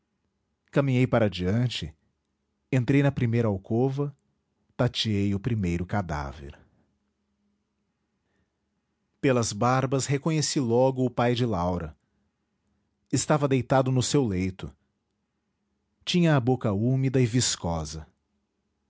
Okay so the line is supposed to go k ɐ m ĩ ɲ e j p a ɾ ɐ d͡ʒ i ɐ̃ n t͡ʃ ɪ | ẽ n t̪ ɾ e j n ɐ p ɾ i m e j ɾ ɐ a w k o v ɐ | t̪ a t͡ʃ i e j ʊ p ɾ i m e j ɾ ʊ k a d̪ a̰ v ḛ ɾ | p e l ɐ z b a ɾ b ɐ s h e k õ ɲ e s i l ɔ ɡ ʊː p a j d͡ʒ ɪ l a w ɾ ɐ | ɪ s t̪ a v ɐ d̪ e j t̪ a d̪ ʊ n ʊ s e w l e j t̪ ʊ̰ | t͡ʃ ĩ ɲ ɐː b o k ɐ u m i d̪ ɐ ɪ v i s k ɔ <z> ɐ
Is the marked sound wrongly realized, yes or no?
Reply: no